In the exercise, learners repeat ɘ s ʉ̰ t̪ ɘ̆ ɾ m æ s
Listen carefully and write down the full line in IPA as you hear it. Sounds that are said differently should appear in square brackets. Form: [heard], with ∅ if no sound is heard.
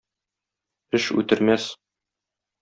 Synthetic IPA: ɘ [ʃ] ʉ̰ t̪ ɘ̆ ɾ m æ s